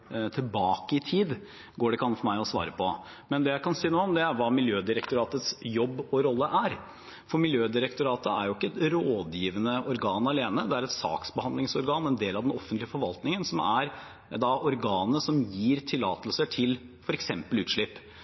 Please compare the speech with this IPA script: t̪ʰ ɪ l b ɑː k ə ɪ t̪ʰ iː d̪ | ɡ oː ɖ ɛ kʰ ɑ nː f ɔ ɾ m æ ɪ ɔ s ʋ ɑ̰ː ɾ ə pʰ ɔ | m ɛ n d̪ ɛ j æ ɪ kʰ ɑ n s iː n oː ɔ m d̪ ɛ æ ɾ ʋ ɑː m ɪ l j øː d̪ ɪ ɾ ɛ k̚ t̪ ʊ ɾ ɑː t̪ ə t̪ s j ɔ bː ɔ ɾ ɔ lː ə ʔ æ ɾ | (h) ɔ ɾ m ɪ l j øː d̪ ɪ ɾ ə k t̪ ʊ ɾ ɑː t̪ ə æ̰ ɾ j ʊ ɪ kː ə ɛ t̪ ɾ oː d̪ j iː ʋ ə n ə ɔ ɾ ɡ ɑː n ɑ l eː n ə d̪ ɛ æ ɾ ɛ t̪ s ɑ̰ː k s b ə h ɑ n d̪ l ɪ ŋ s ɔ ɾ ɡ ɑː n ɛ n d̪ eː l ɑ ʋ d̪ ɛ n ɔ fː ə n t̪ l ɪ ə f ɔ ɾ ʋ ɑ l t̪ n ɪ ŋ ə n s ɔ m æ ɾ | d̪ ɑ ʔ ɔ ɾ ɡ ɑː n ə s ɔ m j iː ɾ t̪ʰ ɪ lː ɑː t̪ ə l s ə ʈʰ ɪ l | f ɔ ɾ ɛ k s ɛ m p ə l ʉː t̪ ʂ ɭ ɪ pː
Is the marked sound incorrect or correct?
incorrect